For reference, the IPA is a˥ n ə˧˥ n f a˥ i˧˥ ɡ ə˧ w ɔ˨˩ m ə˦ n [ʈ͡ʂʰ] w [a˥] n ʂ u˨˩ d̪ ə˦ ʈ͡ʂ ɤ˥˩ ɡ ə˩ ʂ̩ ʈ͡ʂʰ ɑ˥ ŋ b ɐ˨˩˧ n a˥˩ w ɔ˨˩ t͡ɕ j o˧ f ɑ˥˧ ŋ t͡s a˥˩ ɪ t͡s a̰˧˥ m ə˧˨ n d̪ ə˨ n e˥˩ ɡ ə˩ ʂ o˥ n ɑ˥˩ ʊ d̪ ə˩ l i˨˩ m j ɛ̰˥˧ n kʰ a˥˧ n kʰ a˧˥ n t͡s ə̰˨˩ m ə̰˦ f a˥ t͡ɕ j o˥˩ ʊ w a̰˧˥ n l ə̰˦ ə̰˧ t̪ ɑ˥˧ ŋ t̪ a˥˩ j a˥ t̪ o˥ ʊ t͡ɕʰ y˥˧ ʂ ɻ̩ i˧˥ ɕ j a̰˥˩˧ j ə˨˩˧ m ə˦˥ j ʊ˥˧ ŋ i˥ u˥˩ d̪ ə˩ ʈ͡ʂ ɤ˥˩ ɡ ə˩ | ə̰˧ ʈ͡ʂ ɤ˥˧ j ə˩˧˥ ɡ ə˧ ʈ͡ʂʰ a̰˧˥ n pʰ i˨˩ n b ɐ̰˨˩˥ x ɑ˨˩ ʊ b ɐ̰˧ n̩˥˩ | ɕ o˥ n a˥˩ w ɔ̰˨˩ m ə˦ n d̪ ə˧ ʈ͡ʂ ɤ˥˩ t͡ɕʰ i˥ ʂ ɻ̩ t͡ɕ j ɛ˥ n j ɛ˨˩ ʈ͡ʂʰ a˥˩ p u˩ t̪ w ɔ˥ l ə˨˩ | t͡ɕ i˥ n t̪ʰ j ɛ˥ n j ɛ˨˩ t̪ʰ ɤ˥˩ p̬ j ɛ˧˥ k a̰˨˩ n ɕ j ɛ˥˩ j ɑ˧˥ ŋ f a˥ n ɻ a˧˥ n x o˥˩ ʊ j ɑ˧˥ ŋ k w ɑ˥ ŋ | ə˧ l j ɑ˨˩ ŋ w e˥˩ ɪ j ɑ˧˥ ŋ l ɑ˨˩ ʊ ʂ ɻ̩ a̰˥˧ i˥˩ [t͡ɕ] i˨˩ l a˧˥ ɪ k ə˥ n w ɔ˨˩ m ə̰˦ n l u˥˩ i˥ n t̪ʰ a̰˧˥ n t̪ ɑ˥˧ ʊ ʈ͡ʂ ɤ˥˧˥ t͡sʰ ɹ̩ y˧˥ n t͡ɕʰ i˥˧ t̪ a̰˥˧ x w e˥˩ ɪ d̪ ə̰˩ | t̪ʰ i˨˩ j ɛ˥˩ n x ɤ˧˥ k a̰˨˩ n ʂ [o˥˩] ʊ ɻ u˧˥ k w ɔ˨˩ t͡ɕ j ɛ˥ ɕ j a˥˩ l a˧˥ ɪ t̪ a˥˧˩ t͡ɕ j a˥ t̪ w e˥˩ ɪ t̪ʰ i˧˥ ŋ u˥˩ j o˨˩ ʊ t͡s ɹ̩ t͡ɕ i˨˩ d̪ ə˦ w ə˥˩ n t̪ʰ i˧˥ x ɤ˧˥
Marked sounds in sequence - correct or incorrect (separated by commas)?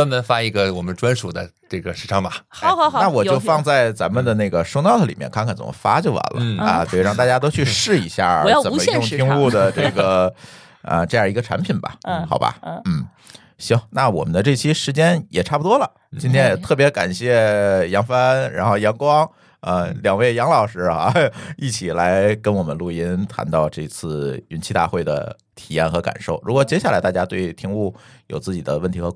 incorrect, correct, incorrect, correct